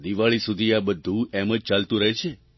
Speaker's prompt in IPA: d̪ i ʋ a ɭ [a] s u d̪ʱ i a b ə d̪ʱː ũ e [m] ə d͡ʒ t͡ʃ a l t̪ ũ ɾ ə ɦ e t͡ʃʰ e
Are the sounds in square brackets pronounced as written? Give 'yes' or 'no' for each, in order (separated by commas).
no, yes